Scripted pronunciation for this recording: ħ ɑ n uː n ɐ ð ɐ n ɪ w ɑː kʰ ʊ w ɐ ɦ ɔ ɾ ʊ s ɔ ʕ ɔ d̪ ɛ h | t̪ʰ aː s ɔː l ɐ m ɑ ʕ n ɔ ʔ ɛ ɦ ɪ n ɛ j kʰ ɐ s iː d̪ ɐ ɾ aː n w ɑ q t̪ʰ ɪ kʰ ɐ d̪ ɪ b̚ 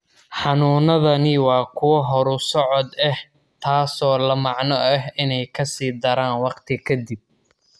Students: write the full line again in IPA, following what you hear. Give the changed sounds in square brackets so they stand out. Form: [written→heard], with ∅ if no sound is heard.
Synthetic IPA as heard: ħ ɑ n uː n ɐ ð ɐ n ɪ w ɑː kʰ ʊ w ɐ ɦ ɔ ɾ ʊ s ɔ ʕ ɔ d̪ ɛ h | t̪ʰ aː s ɔː l ɐ m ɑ ʕ n ɔ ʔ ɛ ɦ ɪ n ɛ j kʰ ɐ s iː d̪ ɐ ɾ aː n w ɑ q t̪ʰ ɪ kʰ ɐ d̪ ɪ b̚